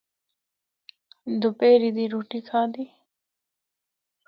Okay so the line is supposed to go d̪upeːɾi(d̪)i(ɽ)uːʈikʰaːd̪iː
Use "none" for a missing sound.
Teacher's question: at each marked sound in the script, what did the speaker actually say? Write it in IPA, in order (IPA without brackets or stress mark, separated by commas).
d̪, ɾ